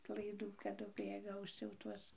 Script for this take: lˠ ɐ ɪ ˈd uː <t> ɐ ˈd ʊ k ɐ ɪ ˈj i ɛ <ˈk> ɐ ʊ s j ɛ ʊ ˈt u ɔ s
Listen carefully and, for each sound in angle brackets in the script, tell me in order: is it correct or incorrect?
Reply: incorrect: k, incorrect: ɡ

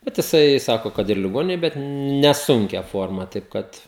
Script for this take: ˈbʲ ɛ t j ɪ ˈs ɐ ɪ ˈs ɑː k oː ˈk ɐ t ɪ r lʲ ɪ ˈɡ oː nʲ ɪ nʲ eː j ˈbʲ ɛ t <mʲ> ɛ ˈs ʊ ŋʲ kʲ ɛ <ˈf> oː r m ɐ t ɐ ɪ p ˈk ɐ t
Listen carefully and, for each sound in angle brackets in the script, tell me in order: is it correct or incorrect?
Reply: incorrect: nʲ, correct

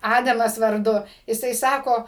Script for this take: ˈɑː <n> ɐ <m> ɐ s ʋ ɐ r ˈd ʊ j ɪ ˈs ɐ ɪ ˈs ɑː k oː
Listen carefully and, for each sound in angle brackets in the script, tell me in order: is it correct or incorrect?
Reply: incorrect: d, correct

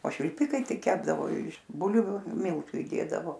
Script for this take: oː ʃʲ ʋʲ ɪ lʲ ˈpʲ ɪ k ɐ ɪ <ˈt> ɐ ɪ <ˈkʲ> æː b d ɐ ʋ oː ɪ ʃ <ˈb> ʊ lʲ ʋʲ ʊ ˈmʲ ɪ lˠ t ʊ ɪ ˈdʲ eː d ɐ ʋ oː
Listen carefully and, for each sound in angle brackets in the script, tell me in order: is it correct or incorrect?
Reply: correct, correct, correct

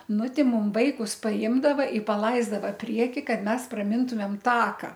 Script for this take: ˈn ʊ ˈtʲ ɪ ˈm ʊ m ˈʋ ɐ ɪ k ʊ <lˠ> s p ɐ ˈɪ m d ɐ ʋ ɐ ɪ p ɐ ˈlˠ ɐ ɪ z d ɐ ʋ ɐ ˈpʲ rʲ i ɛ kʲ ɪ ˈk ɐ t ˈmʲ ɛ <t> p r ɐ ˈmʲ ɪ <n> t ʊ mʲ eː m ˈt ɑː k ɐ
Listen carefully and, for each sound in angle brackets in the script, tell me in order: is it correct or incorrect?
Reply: incorrect: none, incorrect: s, correct

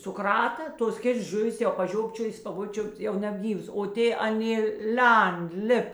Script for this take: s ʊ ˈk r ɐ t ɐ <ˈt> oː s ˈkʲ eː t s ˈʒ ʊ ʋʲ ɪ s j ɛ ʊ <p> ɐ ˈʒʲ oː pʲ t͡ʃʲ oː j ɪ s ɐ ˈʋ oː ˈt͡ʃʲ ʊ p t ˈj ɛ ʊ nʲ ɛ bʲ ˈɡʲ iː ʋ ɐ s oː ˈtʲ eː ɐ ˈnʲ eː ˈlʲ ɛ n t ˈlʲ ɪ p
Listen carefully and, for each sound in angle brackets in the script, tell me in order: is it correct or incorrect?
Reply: correct, correct

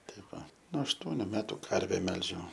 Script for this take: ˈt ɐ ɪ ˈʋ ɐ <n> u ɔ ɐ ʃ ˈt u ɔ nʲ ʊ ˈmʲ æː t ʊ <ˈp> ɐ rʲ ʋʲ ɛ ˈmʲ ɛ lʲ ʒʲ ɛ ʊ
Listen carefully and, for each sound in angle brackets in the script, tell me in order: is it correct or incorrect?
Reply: correct, incorrect: k

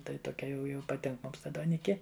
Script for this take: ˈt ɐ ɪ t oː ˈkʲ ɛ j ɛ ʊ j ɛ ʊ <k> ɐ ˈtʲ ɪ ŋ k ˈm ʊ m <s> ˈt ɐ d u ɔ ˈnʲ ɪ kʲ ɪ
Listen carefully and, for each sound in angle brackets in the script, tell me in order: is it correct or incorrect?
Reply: incorrect: p, correct

